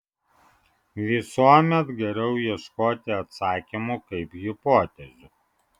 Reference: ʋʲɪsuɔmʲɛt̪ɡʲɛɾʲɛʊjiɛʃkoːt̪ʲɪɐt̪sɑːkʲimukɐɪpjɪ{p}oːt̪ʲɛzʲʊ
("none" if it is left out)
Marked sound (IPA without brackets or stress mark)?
p